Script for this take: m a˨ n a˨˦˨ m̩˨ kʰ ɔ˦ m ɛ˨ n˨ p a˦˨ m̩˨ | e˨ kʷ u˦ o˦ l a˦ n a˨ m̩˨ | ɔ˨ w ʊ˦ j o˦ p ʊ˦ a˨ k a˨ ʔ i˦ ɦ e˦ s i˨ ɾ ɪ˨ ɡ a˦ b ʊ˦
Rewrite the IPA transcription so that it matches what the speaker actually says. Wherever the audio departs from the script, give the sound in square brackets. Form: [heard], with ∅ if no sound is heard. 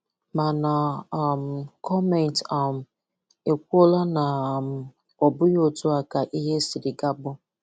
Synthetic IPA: m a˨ n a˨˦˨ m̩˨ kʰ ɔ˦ m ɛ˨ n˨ [t] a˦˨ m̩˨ | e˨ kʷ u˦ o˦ l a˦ n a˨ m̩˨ | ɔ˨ [b] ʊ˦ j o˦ [t] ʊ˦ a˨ k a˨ ʔ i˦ ɦ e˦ s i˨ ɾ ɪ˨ ɡ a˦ b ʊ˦